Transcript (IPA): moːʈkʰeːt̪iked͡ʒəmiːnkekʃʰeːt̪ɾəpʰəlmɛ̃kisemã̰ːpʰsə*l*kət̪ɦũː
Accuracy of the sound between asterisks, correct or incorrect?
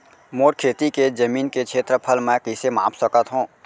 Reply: incorrect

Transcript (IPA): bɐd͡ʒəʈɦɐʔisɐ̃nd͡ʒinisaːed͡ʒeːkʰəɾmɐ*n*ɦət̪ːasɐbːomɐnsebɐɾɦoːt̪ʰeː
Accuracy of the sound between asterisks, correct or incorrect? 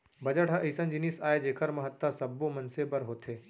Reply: incorrect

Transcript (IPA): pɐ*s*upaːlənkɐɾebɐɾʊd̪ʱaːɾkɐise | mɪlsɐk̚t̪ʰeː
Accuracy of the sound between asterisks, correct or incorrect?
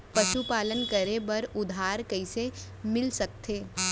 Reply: incorrect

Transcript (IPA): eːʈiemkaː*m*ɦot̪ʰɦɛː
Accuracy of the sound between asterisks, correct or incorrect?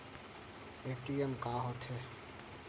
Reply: incorrect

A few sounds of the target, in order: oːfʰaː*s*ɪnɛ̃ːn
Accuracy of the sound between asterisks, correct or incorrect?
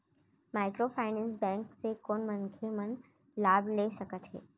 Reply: incorrect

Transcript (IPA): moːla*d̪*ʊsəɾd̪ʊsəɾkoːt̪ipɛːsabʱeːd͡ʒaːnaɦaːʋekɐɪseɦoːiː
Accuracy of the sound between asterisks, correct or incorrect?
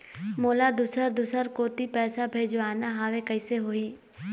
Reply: correct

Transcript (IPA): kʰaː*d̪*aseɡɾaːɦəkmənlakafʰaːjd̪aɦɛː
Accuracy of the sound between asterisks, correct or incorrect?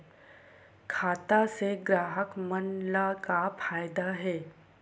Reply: incorrect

